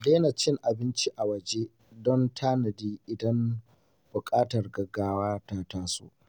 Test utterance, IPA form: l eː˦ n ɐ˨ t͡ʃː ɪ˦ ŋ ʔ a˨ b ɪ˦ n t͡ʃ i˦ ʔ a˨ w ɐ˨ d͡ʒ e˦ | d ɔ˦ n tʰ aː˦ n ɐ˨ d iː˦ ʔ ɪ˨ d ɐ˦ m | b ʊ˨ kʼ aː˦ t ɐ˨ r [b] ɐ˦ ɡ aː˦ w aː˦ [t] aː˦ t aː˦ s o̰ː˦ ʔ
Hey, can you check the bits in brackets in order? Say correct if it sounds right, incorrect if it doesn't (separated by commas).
incorrect, correct